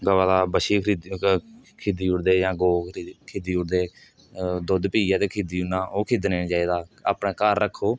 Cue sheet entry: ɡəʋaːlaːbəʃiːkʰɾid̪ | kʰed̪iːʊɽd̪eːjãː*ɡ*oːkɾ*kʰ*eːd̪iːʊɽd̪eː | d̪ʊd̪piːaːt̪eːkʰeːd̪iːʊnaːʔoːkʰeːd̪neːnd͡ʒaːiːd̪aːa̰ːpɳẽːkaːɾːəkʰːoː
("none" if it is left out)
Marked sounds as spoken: ɡ, kʰ

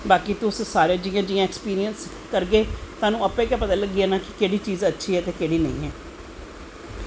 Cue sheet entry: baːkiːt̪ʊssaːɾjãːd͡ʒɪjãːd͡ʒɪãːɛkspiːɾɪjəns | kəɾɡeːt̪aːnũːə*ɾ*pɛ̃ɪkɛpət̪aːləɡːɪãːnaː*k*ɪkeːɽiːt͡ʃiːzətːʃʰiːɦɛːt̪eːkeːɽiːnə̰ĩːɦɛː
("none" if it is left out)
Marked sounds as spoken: none, k

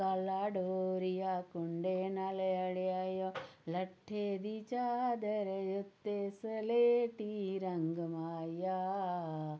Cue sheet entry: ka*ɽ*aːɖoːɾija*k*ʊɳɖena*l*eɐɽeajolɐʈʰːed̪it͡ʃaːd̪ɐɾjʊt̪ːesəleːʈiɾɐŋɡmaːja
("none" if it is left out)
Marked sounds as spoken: l, k, l

